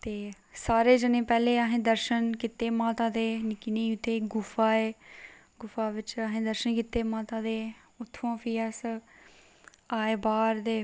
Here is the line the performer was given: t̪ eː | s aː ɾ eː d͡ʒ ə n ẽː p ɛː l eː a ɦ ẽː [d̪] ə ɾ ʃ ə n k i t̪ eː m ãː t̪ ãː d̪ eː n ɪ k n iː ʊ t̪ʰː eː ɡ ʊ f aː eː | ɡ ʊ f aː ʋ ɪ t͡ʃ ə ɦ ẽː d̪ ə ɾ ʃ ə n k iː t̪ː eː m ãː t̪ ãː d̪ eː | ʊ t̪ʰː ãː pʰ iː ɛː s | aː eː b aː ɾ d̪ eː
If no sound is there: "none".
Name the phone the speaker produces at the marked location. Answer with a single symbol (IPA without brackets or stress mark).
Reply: d̪